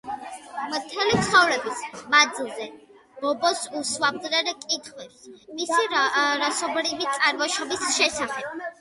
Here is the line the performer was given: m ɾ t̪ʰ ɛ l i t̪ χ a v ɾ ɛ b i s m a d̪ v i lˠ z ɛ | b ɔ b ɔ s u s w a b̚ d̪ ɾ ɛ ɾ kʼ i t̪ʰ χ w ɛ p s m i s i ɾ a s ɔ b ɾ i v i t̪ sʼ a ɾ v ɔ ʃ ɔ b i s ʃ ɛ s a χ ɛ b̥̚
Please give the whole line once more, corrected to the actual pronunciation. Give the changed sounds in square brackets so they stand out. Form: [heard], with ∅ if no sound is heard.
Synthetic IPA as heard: m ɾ t̪ʰ ɛ l i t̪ χ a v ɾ ɛ b i s m a d̪ [z] i lˠ z ɛ | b ɔ b ɔ s u s w a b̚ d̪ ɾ ɛ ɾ kʼ i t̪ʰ χ w ɛ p s m i s i ɾ a s ɔ b ɾ i v i t̪ sʼ a ɾ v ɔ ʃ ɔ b i s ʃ ɛ s a χ ɛ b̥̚